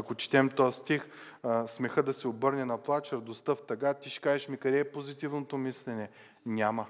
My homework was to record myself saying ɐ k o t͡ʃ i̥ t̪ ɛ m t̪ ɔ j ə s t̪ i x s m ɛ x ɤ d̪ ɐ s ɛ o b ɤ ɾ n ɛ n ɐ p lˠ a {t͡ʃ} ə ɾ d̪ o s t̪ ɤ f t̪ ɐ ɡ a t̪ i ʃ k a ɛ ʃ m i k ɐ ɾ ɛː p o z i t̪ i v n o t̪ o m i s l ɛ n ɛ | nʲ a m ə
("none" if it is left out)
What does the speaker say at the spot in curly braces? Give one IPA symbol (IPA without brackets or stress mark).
t͡ʃ